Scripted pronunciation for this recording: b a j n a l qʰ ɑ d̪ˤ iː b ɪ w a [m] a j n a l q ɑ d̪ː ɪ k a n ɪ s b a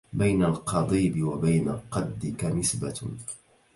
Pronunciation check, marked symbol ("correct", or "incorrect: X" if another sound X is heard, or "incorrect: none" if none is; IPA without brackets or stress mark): incorrect: b